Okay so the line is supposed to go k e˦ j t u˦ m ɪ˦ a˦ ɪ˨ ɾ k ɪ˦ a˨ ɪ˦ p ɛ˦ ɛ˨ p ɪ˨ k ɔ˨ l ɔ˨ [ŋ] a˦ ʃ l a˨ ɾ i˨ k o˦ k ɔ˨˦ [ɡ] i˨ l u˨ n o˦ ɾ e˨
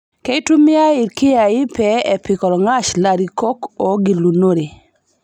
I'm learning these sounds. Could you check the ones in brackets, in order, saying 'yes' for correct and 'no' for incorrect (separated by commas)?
yes, yes